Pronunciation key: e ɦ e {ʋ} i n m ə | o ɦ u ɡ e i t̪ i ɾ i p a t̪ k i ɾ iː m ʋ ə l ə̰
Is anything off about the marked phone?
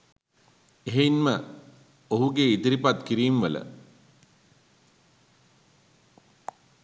yes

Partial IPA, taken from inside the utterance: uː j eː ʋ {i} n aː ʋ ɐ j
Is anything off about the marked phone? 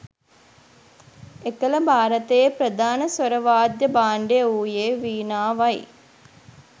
yes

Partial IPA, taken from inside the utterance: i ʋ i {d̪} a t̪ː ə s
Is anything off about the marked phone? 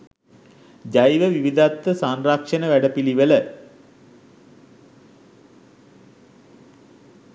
no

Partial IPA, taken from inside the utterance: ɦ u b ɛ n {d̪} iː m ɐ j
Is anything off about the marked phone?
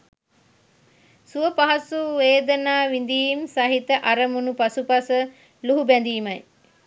no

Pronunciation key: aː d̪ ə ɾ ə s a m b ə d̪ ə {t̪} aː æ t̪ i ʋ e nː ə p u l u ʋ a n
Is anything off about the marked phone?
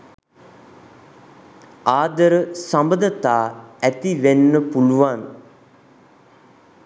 no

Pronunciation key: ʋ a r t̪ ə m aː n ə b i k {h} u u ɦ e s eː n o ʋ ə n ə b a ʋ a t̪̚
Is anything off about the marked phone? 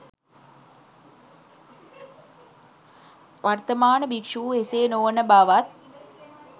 yes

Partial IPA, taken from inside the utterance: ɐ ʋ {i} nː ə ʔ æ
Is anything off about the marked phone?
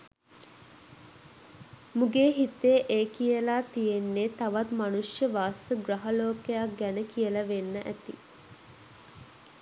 yes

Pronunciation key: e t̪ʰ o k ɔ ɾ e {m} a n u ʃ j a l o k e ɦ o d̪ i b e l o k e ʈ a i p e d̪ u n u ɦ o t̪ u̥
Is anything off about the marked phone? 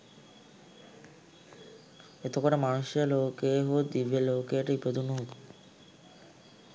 no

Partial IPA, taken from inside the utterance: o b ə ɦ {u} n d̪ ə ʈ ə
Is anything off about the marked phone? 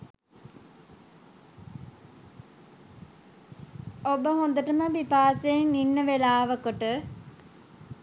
yes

